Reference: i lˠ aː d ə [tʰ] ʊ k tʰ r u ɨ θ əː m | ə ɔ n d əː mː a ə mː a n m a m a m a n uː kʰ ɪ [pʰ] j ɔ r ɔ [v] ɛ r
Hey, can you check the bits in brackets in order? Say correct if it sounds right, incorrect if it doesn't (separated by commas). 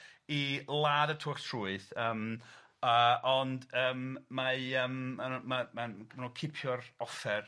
correct, correct, incorrect